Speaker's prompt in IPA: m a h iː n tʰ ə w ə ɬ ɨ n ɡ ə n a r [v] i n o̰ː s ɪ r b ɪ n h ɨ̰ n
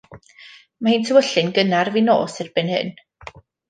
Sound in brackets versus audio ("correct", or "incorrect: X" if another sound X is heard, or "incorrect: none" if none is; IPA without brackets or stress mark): correct